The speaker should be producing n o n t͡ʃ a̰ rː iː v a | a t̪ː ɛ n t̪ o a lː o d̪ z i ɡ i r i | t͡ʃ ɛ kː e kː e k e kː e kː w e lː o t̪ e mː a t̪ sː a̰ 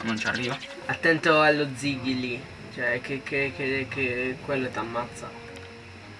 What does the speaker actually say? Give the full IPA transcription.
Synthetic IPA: n o n t͡ʃ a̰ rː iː v a | a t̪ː ɛ n t̪ o a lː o d̪ z i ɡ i l i | t͡ʃ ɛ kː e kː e k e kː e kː w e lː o t̪ a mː a t̪ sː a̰